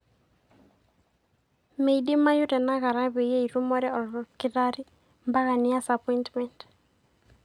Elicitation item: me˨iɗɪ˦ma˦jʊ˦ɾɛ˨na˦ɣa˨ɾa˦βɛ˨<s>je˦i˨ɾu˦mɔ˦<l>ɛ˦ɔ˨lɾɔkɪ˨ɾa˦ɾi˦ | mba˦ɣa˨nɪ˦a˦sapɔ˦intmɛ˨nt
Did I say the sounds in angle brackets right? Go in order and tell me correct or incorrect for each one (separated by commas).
incorrect, incorrect